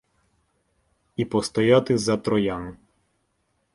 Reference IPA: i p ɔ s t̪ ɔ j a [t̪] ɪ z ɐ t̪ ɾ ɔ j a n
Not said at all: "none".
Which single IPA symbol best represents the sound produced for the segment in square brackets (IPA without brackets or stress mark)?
t̪